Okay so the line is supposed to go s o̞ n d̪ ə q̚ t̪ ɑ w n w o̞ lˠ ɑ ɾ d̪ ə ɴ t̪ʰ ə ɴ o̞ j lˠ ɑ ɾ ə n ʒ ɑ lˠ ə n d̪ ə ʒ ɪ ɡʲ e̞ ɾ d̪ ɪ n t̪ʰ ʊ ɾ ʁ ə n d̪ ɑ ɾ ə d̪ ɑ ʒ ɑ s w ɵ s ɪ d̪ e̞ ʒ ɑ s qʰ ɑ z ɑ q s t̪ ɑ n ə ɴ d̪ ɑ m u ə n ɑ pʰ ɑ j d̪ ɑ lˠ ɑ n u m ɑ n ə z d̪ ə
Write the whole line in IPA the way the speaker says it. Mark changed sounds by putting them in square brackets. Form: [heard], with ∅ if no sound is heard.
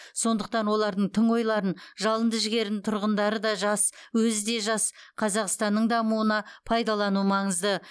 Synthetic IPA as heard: s o̞ n d̪ ə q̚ t̪ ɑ [∅] n w o̞ lˠ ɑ ɾ d̪ ə ɴ t̪ʰ ə ɴ o̞ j lˠ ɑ ɾ ə n ʒ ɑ lˠ ə n d̪ ə ʒ ɪ ɡʲ e̞ ɾ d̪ ɪ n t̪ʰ ʊ ɾ ʁ ə n d̪ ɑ ɾ ə d̪ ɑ ʒ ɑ s w ɵ [z] ɪ d̪ e̞ ʒ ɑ s qʰ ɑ z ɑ q s t̪ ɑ [nː] ə ɴ d̪ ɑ m u ə n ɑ pʰ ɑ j d̪ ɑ lˠ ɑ n u m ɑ [ɴ] ə z d̪ ə